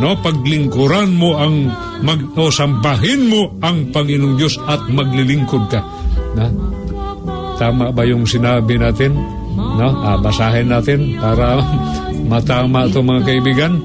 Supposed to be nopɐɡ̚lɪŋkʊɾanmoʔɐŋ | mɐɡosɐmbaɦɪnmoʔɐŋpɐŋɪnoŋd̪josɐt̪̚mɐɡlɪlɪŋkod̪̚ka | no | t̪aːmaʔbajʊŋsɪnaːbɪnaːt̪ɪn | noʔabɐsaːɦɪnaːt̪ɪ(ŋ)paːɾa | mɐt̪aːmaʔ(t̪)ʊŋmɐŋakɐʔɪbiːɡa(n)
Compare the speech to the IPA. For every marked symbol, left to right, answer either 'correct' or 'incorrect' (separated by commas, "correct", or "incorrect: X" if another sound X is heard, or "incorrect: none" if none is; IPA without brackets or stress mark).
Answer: incorrect: n, correct, correct